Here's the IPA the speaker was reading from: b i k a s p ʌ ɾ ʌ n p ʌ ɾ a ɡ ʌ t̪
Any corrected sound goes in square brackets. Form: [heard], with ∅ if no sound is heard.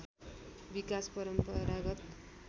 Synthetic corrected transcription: b i k a s p ʌ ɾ ʌ [m] p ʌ ɾ a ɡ ʌ t̪